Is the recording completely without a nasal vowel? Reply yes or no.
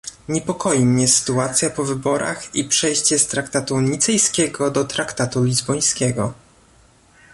yes